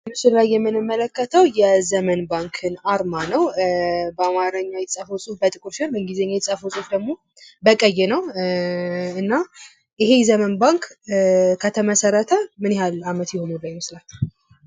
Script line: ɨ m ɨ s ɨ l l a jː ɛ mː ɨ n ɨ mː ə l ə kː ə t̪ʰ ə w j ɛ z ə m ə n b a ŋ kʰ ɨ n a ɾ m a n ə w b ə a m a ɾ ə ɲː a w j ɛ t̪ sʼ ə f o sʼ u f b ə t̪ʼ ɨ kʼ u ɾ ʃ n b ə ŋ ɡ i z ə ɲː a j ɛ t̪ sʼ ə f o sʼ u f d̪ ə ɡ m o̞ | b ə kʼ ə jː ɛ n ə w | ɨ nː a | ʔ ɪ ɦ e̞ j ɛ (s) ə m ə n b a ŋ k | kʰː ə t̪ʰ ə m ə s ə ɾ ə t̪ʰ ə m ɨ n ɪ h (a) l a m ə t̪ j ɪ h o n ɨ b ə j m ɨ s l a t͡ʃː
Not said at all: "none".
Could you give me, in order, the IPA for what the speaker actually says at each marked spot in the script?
z, a

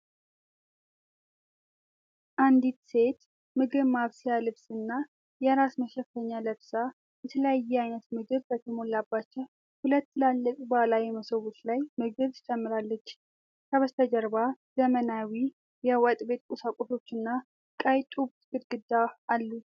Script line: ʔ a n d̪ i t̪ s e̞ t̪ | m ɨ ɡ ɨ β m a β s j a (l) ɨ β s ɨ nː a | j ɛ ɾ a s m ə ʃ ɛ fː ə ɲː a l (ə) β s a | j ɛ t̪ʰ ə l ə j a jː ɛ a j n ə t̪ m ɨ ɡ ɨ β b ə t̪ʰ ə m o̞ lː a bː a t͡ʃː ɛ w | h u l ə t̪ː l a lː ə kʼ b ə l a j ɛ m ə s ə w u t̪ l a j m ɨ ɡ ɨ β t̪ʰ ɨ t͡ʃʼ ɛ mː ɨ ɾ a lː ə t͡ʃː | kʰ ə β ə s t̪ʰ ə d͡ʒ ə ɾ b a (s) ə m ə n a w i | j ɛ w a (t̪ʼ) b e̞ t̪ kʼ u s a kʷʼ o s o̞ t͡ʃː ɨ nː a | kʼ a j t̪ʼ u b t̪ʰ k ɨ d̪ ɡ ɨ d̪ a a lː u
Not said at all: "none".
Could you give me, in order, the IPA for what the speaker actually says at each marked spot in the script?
l, ə, z, t̪ʼ

